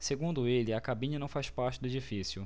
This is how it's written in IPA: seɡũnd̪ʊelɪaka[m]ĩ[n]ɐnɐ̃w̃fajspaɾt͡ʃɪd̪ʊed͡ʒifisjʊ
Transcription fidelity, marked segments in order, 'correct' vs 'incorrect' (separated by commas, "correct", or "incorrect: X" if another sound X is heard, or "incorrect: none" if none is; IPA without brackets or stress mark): incorrect: b, incorrect: ɲ